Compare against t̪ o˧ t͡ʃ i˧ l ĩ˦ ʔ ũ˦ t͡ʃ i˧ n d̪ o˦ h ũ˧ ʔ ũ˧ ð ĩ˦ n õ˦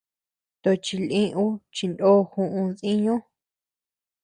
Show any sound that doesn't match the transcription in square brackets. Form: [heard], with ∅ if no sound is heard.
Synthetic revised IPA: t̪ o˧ t͡ʃ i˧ l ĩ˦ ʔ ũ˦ t͡ʃ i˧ n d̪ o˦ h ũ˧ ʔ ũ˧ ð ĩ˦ [ɲ] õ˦